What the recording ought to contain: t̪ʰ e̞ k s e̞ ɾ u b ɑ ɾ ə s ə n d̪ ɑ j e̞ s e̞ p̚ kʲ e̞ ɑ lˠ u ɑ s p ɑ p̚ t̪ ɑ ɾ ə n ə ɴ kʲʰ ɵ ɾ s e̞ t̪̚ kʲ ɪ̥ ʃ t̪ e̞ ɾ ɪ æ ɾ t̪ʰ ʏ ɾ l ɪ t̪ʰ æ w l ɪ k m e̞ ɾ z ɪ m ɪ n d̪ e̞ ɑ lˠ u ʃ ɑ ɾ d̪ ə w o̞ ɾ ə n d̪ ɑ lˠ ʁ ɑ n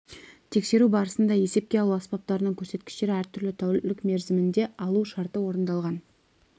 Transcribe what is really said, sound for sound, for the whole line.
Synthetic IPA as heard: t̪ʰ e̞ k s e̞ ɾ u b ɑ ɾ ə s ə n d̪ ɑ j e̞ s e̞ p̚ kʲ e̞ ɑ lˠ u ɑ s p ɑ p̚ t̪ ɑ ɾ ə n ə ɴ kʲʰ ɵ ɾ s e̞ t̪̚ kʲ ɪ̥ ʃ t̪ e̞ ɾ ɪ æ ɾ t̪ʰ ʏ ɾ l ɪ t̪ʰ æ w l ɪ k m e̞ ɾ z ɪ m ɪ n d̪ e̞ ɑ lˠ u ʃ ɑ ɾ t̪ ə w o̞ ɾ ə n d̪ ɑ lˠ ʁ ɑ n